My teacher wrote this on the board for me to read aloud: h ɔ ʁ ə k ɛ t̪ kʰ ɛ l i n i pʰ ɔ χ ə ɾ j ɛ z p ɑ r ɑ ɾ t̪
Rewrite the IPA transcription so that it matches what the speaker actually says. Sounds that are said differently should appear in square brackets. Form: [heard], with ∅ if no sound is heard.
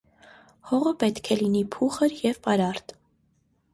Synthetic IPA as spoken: h ɔ ʁ ə [p] ɛ t̪ kʰ ɛ l i n i pʰ [u] χ ə ɾ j ɛ [v] p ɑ [ɾ] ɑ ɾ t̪